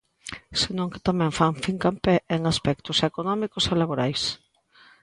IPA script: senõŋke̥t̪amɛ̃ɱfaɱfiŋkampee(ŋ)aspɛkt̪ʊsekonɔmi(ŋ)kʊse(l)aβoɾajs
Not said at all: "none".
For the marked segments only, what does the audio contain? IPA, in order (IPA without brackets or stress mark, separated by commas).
ŋ, none, l